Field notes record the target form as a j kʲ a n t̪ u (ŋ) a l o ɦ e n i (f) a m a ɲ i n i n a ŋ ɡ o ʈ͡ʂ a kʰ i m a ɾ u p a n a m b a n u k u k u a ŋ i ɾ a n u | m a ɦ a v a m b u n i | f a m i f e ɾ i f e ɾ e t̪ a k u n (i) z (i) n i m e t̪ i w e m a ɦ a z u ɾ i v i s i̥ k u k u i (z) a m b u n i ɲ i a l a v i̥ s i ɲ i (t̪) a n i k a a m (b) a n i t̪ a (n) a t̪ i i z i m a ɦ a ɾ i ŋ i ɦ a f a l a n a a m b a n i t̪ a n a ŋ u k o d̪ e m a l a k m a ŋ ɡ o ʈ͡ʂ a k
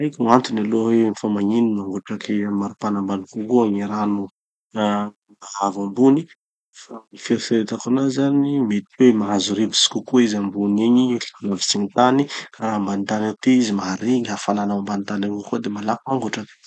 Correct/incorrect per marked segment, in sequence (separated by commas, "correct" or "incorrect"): incorrect, correct, incorrect, incorrect, correct, correct, correct, correct